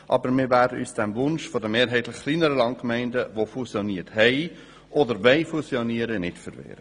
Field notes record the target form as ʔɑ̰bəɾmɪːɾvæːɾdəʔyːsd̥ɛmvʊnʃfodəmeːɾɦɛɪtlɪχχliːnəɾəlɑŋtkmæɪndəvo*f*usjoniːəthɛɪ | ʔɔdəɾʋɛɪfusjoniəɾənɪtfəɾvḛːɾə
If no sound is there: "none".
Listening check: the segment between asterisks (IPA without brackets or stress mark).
f